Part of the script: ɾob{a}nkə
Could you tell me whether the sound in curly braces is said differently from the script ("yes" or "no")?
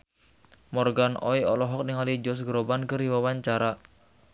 no